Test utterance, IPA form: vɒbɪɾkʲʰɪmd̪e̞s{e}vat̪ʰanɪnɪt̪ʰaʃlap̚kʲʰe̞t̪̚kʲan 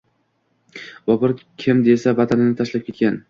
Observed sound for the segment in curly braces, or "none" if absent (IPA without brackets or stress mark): a